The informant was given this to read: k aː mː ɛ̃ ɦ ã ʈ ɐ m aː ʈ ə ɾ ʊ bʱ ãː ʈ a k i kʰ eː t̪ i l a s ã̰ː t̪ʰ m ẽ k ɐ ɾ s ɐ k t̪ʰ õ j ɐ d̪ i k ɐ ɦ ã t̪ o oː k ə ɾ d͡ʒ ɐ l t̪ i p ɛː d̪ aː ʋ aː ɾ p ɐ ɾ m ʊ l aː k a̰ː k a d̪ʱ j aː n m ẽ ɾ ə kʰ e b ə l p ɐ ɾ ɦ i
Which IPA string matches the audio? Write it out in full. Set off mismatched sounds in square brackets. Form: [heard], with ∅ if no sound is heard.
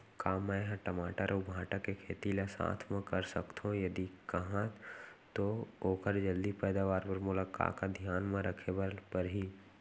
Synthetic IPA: k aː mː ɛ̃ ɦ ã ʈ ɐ m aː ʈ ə ɾ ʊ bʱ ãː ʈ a k [e] kʰ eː t̪ i l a s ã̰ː t̪ʰ m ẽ k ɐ ɾ s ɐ k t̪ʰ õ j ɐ d̪ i k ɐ ɦ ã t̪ o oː k ə ɾ d͡ʒ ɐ l [d̪] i p ɛː d̪ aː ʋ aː ɾ p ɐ ɾ m ʊ l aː k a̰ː k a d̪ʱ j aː n m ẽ ɾ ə kʰ e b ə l p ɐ ɾ ɦ i